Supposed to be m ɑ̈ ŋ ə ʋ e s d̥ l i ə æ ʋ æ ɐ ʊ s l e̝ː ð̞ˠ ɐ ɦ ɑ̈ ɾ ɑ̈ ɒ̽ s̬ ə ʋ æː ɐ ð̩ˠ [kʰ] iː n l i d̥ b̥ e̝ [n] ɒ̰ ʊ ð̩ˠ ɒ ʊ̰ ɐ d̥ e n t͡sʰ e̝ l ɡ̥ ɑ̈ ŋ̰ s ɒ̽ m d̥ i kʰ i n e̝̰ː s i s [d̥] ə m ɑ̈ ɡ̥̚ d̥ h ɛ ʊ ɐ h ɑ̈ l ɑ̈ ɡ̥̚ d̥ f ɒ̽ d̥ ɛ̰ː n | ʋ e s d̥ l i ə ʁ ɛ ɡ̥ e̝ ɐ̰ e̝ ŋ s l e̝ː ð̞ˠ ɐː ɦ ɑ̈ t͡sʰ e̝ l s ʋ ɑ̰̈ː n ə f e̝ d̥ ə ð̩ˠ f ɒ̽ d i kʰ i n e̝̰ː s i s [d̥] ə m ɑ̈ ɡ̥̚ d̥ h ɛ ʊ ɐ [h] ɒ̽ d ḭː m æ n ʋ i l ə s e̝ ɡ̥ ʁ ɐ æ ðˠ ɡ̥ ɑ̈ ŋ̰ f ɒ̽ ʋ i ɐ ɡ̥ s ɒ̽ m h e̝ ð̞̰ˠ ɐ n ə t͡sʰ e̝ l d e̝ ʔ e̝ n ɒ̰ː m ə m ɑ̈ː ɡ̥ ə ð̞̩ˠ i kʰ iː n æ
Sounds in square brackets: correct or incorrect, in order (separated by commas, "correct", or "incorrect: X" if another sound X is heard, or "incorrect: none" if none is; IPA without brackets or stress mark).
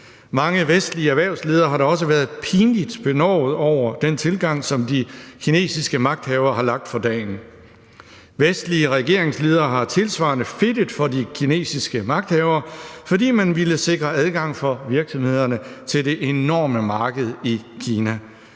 incorrect: pʰ, correct, incorrect: ɡ̥, incorrect: ɡ̥, incorrect: f